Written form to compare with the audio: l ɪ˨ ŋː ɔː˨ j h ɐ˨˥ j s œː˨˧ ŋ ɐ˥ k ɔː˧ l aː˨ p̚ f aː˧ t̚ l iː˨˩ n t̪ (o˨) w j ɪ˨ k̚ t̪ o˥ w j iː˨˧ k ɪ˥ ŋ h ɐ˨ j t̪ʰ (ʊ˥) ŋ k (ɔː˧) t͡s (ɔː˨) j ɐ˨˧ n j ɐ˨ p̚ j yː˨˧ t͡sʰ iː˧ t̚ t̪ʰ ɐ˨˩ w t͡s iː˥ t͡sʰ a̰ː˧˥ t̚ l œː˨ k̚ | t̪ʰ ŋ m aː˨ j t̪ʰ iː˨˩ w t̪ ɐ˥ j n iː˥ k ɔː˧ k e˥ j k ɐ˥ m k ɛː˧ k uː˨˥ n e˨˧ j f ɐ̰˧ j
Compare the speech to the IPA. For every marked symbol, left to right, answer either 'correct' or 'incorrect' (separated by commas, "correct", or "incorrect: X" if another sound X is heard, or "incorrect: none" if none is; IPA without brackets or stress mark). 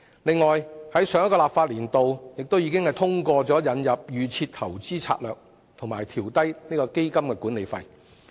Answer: correct, correct, correct, incorrect: ɔː˨˥